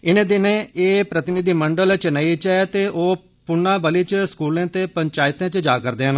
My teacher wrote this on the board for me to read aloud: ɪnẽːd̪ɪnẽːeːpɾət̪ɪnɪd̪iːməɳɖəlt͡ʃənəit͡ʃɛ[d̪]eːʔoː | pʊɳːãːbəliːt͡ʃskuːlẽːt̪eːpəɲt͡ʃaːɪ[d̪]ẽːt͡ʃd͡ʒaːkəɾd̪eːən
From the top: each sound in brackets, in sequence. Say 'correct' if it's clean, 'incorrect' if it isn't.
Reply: incorrect: t̪, incorrect: t̪

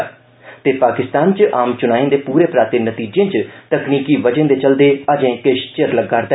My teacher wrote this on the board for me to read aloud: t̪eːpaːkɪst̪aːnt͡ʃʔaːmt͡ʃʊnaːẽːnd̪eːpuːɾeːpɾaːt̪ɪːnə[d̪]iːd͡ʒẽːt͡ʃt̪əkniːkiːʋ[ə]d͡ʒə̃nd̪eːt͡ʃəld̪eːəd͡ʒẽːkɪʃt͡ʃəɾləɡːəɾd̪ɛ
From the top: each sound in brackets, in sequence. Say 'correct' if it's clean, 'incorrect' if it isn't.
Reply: incorrect: t̪, correct

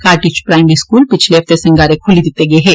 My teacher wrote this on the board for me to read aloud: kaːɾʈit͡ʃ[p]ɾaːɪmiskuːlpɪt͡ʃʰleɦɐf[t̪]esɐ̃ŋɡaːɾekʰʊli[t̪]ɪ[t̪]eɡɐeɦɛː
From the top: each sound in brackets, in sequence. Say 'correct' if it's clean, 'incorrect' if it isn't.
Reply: correct, correct, incorrect: d̪, correct

